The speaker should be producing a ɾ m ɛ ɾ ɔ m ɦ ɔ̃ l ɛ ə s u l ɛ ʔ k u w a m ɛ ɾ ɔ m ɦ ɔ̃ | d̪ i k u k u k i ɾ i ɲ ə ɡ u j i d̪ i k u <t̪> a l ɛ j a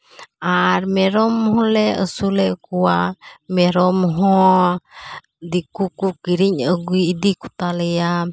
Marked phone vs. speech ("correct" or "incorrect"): correct